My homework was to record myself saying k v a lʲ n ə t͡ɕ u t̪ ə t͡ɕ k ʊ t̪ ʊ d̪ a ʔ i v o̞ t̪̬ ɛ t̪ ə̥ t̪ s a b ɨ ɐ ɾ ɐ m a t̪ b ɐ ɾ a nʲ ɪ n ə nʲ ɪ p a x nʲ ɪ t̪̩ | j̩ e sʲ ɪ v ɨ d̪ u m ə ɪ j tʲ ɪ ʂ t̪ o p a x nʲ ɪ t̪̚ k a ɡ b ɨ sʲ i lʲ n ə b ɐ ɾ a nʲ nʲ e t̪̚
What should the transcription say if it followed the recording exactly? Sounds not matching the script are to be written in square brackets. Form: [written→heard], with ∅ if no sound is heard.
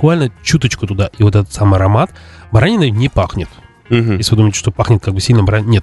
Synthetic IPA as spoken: k v a lʲ n ə t͡ɕ u t̪ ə t͡ɕ k ʊ t̪ ʊ d̪ a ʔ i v o̞ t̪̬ ɛ t̪ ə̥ t̪ s a [b→m] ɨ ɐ ɾ ɐ m a t̪ b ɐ ɾ a nʲ ɪ n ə nʲ ɪ p a x nʲ ɪ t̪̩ | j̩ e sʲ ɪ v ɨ d̪ u m ə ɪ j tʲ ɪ ʂ t̪ o p a x nʲ ɪ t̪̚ k a ɡ b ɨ sʲ i lʲ n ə b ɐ ɾ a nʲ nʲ e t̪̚